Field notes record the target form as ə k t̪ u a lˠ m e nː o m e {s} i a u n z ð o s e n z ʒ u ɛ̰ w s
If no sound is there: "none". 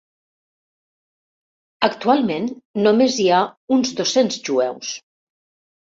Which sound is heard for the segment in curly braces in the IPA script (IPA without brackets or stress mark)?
z